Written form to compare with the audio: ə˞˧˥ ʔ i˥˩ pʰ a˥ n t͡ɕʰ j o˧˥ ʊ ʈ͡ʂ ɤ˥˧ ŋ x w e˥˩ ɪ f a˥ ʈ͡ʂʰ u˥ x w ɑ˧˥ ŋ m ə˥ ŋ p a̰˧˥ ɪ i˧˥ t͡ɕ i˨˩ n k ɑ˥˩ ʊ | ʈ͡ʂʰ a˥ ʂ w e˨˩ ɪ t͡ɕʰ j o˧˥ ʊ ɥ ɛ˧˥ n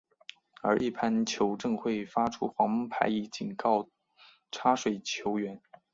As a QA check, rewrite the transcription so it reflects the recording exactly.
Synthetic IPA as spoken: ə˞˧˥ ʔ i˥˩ pʰ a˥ n t͡ɕʰ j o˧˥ ʊ ʈ͡ʂ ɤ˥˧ ŋ x w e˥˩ ɪ f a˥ ʈ͡ʂʰ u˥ x w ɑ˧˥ ŋ m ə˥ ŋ pʰ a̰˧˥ ɪ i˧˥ t͡ɕ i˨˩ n k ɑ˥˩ ʊ | ʈ͡ʂʰ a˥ ʂ w e˨˩ ɪ t͡ɕʰ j o˧˥ ʊ ɥ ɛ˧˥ n

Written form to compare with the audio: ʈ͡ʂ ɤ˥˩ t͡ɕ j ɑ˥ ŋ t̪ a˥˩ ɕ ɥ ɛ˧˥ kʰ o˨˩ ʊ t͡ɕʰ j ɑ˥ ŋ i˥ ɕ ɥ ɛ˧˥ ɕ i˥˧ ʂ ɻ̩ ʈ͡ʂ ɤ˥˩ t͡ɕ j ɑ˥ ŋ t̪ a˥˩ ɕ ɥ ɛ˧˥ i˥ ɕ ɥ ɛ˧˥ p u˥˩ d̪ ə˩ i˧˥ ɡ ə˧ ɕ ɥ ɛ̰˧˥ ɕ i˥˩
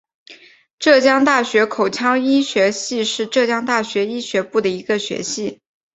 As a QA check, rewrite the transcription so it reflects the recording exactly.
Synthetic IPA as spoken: ʈ͡ʂ ɤ˥˩ t͡ɕ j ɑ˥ ŋ t̪ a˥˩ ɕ ɥ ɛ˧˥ kʰ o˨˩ ʊ t͡ɕʰ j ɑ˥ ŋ i˥ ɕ ɥ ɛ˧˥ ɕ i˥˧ ʂ ɻ̩ ʈ͡ʂ ɤ˥˩ t͡ɕ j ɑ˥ ŋ t̪ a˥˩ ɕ ɥ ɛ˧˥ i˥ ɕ ɥ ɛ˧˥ p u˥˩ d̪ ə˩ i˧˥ ɡ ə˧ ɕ ɥ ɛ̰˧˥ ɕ i˥˩

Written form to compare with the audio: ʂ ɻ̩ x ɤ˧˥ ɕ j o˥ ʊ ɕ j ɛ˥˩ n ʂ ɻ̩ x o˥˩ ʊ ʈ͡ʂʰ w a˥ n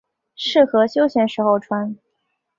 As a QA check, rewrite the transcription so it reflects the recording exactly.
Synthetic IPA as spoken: ʂ ɻ̩ x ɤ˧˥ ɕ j o˥ ʊ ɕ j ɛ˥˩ n ʂ ɻ̩ x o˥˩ ʊ ʈ͡ʂʰ w a˥ n

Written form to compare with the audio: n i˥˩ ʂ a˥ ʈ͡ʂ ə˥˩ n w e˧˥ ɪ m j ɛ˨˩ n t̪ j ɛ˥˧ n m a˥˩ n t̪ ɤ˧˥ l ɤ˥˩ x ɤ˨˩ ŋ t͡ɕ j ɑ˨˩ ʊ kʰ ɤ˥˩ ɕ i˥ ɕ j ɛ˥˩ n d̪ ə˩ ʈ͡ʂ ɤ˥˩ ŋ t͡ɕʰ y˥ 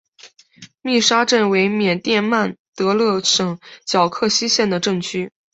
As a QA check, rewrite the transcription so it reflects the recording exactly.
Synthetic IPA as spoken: m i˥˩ ʂ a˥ ʈ͡ʂ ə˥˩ n w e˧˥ ɪ m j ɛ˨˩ n t̪ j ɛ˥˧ n m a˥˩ n t̪ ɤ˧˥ l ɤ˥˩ ʂ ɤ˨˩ ŋ t͡ɕ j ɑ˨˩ ʊ kʰ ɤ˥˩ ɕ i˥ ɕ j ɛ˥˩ n d̪ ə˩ ʈ͡ʂ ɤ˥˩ ŋ t͡ɕʰ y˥

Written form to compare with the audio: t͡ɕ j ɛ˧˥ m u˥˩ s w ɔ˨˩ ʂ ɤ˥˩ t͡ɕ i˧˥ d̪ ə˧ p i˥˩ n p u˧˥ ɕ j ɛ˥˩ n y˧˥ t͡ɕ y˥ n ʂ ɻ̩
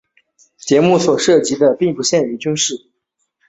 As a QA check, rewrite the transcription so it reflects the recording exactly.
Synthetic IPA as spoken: t͡ɕ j ɛ˧˥ m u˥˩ s w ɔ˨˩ ʂ ɤ˥˩ t͡ɕ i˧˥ d̪ ə˧ p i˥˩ ŋ p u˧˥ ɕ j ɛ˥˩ n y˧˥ t͡ɕ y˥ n ʂ ɻ̩

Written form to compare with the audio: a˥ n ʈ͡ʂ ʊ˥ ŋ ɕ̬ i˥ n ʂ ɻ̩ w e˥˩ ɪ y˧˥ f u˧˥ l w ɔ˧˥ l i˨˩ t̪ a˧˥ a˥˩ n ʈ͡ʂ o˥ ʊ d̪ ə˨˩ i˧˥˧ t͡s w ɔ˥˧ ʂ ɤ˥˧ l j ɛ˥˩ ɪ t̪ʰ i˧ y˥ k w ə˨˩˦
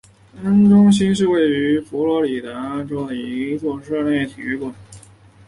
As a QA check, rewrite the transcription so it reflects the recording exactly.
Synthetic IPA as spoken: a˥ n ʈ͡ʂ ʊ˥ ŋ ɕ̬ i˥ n ʂ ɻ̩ w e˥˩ ɪ y˧˥ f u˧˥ l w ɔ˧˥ l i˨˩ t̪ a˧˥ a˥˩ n ʈ͡ʂ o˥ ʊ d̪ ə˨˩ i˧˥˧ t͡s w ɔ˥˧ ʂ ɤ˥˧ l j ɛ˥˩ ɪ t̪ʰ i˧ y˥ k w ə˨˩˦

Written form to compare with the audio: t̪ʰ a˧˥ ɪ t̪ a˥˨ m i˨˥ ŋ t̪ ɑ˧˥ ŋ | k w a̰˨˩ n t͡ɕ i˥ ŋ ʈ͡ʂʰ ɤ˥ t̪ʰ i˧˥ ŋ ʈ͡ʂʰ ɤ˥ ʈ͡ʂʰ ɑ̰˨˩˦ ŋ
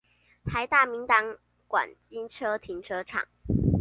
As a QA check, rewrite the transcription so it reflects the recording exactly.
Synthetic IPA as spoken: t̪ʰ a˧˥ ɪ t̪ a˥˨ m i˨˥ ŋ t̪ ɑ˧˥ ŋ | k w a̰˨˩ n t͡ɕ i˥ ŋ ʈ͡ʂʰ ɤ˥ t̪ʰ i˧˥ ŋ ʈ͡ʂʰ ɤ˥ ʈ͡ʂʰ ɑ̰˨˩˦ ŋ

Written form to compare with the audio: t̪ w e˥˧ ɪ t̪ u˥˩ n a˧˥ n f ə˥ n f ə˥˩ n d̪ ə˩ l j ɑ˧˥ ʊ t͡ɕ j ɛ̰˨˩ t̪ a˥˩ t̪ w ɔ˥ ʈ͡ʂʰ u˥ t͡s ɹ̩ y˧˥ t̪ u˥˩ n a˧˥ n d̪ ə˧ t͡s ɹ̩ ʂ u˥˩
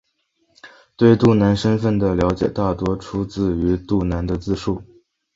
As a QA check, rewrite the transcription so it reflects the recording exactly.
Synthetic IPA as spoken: t̪ w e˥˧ ɪ t̪ u˥˩ n a˧˥ n ʂ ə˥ n f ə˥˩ n d̪ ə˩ l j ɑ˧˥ ʊ t͡ɕ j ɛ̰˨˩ t̪ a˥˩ t̪ w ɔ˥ ʈ͡ʂʰ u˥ t͡s ɹ̩ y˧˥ t̪ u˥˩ n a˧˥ n d̪ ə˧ t͡s ɹ̩ ʂ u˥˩

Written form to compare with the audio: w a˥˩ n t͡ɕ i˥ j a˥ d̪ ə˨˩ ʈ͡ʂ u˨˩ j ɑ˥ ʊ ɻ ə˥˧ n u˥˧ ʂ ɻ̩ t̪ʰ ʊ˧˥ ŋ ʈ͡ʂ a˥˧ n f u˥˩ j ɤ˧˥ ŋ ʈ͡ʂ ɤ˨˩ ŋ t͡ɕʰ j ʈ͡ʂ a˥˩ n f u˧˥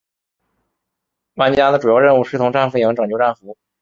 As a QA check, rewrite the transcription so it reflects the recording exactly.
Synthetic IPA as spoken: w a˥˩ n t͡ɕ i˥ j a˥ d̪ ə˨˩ ʈ͡ʂ u˨˩ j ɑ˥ ʊ ɻ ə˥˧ n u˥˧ ʂ ɻ̩ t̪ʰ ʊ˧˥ ŋ ʈ͡ʂ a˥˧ n f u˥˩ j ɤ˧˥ ŋ ʈ͡ʂ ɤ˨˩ ŋ t͡ɕ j ʈ͡ʂ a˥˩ n f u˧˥

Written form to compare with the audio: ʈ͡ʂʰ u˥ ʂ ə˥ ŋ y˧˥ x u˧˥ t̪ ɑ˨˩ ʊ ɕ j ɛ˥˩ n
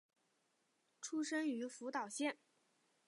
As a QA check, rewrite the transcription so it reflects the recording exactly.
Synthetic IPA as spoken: ʈ͡ʂʰ u˥ ʂ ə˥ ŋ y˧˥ f u˧˥ t̪ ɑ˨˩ ʊ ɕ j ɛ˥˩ n

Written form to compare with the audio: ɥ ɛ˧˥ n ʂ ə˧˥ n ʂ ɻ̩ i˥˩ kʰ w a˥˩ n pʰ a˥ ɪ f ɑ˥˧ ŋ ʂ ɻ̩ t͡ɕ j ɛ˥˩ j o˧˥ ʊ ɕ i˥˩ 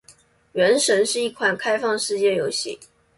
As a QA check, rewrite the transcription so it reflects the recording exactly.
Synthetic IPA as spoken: ɥ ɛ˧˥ n ʂ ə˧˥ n ʂ ɻ̩ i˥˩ kʰ w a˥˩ n kʰ a˥ ɪ f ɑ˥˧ ŋ ʂ ɻ̩ t͡ɕ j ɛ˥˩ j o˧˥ ʊ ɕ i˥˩

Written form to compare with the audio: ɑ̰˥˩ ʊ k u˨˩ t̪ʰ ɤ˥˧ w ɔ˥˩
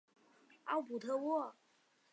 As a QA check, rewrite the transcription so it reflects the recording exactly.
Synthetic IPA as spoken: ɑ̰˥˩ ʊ p u˨˩ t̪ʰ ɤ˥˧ w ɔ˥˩

